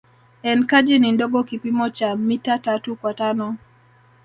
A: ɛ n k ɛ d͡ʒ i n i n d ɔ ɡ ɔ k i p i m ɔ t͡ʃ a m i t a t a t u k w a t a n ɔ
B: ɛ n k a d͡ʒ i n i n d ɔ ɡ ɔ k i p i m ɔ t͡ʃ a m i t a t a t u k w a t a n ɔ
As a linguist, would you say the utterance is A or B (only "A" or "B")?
B